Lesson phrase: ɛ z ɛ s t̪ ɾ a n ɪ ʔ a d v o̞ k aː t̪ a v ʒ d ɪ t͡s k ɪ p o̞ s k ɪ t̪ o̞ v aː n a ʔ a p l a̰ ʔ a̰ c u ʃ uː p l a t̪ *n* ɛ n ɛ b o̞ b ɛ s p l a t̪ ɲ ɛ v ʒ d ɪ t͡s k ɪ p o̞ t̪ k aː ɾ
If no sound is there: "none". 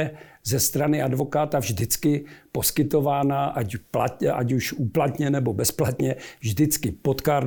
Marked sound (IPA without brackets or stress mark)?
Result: ɲ